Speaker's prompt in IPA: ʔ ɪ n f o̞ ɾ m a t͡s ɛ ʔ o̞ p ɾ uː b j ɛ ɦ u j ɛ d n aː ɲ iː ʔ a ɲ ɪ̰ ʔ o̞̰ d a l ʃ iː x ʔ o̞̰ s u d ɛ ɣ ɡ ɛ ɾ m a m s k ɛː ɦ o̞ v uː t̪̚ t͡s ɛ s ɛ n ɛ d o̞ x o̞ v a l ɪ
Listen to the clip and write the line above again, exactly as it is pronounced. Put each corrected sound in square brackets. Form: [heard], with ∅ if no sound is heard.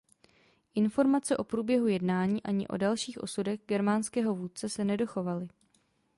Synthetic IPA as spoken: ʔ ɪ n f o̞ ɾ m a t͡s ɛ ʔ o̞ p ɾ uː b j ɛ ɦ u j ɛ d n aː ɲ iː ʔ a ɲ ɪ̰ ʔ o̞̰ d a l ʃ iː x ʔ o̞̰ s u d ɛ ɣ ɡ ɛ ɾ m a [n] s k ɛː ɦ o̞ v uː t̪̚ t͡s ɛ s ɛ n ɛ d o̞ x o̞ v a l ɪ